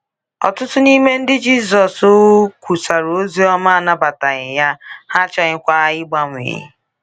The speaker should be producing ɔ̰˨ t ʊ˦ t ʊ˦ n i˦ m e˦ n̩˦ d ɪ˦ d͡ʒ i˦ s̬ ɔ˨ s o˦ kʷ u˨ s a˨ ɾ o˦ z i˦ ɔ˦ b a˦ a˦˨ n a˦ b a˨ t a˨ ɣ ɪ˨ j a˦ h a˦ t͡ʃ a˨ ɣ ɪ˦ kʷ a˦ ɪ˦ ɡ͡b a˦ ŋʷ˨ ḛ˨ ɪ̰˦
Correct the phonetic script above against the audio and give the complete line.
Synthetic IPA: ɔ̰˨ t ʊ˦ t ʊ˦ n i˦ m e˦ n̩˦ d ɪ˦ d͡ʒ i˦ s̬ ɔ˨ s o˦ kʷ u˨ s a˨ ɾ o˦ z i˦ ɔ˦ m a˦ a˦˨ n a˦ b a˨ t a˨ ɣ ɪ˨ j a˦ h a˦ t͡ʃ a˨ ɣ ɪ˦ kʷ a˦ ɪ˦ ɡ͡b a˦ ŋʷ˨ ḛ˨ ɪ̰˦